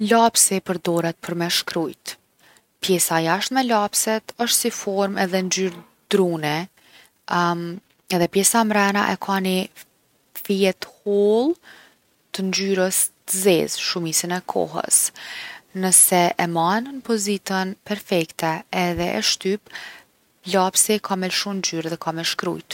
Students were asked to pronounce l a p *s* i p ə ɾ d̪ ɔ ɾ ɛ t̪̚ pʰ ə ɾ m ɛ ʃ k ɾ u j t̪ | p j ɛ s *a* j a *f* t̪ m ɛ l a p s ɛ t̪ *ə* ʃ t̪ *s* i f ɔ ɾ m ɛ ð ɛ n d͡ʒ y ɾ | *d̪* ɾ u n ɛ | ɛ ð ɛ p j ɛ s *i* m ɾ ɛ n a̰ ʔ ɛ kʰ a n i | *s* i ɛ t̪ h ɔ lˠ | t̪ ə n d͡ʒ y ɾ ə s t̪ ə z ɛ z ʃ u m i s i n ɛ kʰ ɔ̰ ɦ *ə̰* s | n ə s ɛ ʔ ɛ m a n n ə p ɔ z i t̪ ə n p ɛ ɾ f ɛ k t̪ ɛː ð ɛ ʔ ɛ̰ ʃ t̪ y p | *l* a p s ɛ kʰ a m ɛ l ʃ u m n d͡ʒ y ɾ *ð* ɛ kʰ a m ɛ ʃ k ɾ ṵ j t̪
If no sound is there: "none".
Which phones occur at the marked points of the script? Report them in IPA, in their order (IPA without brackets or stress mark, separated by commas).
s, a, ʃ, ə, s, d̪, a, f, ə̰, l, ð